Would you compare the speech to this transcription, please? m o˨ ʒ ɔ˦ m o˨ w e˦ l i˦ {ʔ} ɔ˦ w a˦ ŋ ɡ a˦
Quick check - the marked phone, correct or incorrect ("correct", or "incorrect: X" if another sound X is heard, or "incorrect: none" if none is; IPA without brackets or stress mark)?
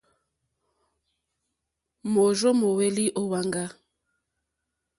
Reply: correct